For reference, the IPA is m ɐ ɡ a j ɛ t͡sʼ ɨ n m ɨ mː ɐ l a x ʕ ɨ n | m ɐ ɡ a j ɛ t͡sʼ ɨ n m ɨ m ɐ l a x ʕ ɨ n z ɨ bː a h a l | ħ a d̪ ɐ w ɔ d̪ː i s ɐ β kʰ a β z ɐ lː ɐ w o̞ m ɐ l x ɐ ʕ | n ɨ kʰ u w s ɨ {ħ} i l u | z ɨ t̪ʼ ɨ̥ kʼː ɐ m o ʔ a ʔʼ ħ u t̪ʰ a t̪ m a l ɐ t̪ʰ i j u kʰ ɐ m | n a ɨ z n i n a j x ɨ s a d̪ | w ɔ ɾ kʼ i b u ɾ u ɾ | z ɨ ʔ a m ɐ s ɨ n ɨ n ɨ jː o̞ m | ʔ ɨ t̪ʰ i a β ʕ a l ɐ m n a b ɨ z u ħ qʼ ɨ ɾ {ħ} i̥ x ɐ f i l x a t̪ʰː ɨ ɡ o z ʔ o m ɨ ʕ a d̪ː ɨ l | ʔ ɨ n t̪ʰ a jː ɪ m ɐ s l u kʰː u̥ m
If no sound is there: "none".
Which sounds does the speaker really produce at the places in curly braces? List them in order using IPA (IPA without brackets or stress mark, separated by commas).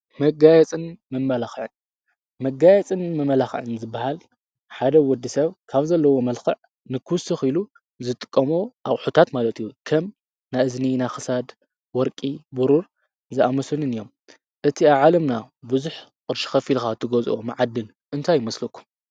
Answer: x, ʃ